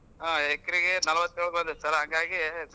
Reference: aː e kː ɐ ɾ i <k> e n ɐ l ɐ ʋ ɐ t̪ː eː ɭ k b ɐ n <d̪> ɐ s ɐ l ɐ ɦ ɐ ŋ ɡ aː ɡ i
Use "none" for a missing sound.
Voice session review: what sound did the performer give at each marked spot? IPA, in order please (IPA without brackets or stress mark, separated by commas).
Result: ɡ, d̪